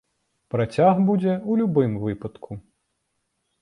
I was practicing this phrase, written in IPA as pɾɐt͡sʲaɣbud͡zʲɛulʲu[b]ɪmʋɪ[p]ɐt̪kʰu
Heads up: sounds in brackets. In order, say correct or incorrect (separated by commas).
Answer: correct, correct